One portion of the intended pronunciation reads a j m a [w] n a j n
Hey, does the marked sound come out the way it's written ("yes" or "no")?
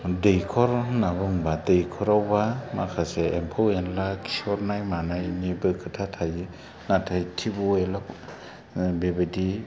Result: no